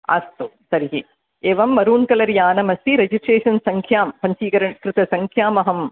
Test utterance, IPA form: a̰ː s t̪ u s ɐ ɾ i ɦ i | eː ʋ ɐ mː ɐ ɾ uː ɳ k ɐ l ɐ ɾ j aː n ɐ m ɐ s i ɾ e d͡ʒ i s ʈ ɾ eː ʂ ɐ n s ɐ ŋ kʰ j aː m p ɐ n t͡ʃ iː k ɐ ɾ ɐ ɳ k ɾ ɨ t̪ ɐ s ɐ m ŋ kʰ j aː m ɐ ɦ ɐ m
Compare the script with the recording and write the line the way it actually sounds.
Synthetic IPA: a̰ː s t̪ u s ɐ ɾ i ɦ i | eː ʋ ɐ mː ɐ ɾ uː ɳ k ɐ l ɐ ɾ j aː n ɐ m ɐ s i ɾ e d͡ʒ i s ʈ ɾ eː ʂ ɐ n s ɐ ŋ kʰ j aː m p ɐ ɲ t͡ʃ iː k ɐ ɾ ɐ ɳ k ɾ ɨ t̪ ɐ s ɐ ŋ kʰ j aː m ɐ ɦ ɐ m